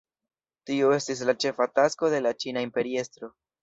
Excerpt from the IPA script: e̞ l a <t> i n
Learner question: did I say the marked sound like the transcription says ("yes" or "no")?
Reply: no